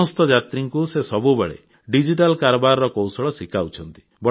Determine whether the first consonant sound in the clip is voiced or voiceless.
voiceless